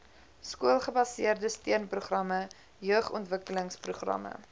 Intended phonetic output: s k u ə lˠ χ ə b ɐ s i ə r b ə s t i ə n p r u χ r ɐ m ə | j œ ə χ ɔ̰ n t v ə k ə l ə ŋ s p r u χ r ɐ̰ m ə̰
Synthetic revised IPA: s k u ə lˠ χ ə b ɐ s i ə r d ə s t i ə n p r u χ r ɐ m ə | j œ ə χ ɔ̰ n t v ə k ə l ə ŋ s p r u χ r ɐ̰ m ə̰

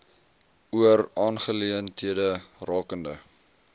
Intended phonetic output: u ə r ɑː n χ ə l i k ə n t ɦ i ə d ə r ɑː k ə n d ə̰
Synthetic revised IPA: u ə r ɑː n χ ə l i ə n t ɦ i ə d ə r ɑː k ə n d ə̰

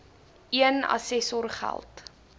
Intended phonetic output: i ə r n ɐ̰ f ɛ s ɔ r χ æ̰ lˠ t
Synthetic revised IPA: i ə n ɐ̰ s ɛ s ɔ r χ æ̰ lˠ t

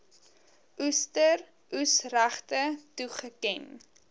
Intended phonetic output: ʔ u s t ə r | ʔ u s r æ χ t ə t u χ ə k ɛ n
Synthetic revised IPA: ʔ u s t ə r | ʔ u s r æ χ t ə t u χ ə k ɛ n

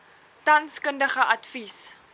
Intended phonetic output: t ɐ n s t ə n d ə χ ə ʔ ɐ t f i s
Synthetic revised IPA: t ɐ n s k ə n d ə χ ə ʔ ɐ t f i s

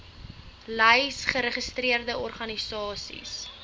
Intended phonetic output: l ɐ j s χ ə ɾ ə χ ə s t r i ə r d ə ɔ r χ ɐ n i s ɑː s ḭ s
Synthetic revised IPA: l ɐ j s χ ə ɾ ə χ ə s t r i ə r d ə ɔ r χ ɐ n i s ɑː s ḭ s

